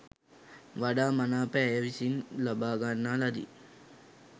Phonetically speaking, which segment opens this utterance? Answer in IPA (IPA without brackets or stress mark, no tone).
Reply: ʋ